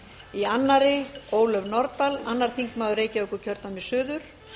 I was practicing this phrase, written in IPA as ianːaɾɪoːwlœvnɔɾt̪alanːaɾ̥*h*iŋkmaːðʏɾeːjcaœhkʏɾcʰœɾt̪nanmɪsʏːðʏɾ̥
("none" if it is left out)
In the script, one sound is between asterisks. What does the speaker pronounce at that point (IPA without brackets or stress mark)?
θ